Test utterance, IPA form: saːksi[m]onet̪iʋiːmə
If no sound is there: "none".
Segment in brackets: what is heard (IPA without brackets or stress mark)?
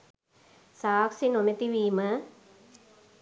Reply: n